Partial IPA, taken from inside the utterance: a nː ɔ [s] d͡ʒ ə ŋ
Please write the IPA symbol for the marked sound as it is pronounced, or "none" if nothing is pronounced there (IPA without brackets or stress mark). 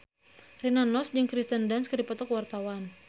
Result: s